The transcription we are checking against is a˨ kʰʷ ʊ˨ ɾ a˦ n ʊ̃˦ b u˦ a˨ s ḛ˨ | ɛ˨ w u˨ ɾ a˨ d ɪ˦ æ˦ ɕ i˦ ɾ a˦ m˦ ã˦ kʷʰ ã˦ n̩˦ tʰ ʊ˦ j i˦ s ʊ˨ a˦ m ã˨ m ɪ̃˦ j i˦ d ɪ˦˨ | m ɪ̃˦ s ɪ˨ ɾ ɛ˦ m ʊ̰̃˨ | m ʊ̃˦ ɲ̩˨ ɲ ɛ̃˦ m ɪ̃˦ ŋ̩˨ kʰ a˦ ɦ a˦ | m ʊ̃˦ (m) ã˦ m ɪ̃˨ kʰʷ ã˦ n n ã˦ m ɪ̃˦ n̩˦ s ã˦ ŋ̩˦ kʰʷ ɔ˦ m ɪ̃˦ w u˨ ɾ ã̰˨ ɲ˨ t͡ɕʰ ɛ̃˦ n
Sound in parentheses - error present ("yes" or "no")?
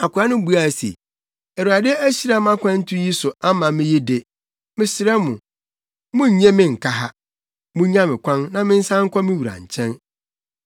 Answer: yes